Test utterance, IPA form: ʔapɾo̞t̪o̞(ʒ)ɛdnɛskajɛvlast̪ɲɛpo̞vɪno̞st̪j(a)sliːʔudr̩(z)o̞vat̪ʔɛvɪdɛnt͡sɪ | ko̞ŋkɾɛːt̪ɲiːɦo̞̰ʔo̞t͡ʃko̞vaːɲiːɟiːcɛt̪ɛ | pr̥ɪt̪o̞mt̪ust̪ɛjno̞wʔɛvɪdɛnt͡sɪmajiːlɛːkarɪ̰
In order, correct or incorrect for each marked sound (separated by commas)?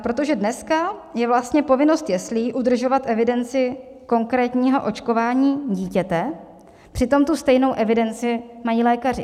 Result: correct, incorrect, incorrect